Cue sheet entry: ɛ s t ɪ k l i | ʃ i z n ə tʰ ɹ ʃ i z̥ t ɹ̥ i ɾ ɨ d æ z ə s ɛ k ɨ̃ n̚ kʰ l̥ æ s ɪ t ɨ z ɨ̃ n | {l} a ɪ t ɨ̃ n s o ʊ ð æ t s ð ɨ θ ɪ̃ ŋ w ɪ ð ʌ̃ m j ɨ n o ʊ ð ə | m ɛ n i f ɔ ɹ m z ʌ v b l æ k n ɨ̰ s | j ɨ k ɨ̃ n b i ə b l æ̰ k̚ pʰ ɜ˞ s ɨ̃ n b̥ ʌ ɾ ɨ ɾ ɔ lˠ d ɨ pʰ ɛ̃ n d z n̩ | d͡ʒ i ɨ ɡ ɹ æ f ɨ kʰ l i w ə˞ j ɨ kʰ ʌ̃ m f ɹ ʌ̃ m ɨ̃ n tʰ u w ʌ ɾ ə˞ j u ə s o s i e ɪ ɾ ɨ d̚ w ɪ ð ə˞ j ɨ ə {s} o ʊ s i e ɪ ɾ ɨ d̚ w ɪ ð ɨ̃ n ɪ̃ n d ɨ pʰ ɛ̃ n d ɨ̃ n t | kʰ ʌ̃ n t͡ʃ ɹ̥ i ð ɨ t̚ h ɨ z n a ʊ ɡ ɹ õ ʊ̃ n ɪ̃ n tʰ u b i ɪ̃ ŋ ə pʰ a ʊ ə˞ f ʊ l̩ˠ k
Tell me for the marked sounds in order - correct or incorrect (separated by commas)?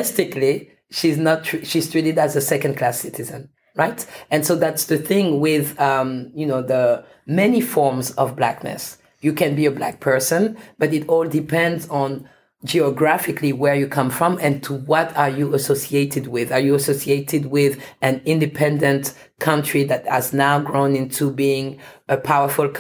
incorrect, correct